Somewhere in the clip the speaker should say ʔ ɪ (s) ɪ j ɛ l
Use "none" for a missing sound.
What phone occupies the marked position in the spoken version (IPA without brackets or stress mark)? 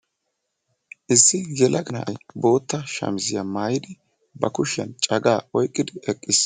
sː